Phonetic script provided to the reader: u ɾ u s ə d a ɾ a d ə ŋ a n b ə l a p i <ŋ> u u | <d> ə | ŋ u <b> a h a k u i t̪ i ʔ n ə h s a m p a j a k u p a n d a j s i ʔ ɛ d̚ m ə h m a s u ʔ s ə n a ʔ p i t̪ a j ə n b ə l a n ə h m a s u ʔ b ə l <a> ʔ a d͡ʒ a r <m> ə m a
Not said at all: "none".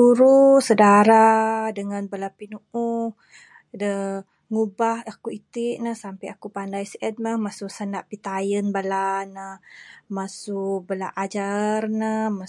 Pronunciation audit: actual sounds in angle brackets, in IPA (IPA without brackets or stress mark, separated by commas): n, d, b, a, n